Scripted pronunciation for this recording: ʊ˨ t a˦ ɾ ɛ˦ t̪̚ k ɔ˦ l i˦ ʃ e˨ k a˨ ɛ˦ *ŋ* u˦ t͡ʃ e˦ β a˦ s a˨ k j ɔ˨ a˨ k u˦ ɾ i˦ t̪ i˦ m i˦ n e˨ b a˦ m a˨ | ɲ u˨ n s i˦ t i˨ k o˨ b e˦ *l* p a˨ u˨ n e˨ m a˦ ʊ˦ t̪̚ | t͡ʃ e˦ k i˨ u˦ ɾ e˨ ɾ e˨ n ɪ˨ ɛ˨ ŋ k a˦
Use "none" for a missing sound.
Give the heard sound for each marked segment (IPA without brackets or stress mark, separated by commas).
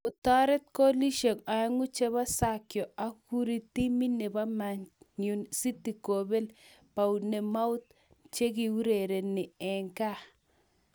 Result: ŋ, l